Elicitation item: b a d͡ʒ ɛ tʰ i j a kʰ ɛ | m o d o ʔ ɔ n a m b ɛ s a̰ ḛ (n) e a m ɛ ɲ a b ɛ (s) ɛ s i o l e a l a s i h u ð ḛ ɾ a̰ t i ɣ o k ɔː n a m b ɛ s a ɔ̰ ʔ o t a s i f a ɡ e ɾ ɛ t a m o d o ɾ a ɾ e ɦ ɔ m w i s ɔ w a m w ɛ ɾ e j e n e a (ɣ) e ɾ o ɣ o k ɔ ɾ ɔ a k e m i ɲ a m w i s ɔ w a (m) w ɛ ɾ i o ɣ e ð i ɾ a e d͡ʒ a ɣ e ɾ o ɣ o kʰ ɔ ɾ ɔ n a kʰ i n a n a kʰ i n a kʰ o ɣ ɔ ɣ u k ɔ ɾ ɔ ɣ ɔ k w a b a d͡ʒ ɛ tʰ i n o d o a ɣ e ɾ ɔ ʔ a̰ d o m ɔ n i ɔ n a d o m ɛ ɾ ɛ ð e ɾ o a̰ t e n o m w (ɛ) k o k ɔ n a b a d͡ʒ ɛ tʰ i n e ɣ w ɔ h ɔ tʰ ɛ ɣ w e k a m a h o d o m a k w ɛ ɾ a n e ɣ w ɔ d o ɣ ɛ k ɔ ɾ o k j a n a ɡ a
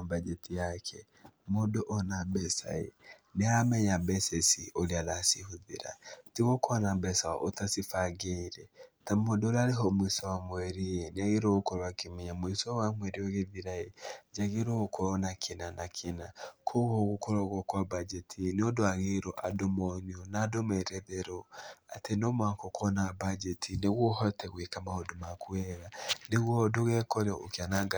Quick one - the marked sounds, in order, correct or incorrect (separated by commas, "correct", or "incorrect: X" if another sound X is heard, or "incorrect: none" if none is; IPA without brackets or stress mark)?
correct, correct, correct, correct, incorrect: a